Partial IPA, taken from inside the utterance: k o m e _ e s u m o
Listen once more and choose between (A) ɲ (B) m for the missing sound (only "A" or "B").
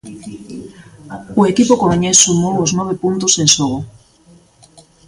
A